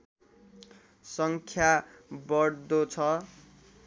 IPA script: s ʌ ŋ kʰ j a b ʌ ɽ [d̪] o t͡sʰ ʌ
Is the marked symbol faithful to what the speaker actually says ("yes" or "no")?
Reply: yes